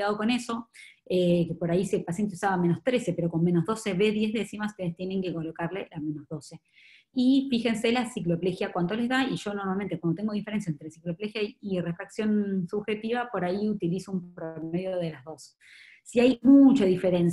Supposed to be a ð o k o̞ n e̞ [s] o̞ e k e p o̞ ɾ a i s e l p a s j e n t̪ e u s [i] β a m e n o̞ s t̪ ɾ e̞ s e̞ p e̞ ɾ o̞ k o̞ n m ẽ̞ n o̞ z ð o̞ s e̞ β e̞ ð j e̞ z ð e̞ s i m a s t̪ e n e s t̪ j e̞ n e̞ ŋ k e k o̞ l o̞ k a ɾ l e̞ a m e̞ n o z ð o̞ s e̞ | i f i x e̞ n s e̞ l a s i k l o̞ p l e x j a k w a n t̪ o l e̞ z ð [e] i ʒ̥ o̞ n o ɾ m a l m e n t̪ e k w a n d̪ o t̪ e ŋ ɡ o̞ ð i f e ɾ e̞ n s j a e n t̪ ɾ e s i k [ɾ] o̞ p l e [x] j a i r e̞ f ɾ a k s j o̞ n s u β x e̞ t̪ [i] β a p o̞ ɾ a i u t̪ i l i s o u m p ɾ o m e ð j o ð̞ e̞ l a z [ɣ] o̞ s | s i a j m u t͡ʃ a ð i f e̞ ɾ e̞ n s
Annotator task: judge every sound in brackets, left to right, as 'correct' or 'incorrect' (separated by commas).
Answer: correct, incorrect, incorrect, incorrect, correct, correct, incorrect